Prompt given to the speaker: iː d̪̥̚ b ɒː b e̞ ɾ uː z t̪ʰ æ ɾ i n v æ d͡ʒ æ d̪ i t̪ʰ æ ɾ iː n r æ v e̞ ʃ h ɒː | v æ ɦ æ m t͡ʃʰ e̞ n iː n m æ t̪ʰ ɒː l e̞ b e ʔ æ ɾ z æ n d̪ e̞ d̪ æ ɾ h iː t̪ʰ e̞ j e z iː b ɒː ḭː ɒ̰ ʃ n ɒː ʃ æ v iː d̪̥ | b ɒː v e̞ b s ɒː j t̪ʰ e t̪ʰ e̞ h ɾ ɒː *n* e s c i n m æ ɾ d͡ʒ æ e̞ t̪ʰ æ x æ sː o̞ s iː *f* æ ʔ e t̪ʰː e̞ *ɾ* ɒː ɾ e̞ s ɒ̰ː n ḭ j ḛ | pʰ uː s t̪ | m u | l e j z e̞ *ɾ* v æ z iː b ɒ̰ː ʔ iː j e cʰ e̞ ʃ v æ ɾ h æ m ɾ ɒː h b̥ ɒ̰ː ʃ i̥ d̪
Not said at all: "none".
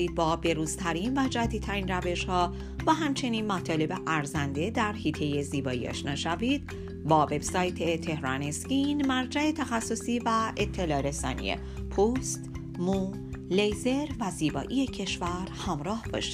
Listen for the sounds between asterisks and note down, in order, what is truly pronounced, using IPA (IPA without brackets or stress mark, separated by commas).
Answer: n, v, l, ɾ